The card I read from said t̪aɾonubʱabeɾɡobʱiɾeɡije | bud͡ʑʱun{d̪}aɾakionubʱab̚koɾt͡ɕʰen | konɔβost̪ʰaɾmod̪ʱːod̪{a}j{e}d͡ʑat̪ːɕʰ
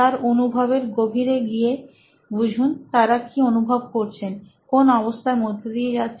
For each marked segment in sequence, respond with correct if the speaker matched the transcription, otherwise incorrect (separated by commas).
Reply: incorrect, incorrect, correct